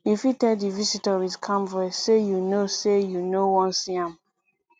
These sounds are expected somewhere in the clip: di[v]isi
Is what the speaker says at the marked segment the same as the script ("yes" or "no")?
yes